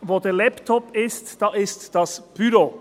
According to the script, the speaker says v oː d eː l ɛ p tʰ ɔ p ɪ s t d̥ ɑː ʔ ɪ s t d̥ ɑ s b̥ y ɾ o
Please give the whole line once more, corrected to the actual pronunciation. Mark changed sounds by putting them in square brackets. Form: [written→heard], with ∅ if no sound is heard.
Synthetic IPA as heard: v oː d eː l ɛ p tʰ ɔ p ɪ s t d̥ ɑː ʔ ɪ s t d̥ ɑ s b̥ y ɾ o